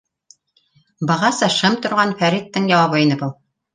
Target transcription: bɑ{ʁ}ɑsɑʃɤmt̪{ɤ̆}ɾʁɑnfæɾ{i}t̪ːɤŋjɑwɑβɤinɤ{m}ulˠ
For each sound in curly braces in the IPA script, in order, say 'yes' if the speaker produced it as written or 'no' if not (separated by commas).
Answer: yes, no, yes, no